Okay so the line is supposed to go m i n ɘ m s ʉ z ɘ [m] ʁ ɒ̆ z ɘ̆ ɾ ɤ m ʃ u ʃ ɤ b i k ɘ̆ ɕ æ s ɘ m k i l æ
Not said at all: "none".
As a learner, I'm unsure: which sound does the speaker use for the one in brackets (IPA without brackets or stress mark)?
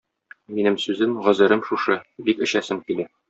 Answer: m